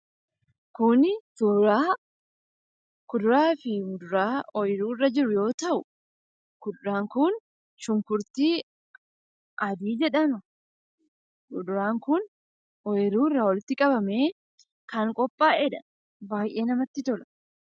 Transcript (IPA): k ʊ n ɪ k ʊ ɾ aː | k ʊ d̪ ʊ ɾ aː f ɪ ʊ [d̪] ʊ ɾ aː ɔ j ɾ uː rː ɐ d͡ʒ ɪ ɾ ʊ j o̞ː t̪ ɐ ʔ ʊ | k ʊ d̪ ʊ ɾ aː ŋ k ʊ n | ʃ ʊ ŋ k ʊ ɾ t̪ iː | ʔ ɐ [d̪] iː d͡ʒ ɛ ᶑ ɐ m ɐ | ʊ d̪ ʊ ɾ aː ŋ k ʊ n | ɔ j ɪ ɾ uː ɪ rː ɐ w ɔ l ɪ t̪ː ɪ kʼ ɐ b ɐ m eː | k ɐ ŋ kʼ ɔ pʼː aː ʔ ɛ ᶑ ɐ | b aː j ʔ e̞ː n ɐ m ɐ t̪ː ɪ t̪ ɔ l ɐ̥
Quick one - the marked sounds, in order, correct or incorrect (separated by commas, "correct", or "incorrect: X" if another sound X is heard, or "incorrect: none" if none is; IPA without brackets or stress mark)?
correct, correct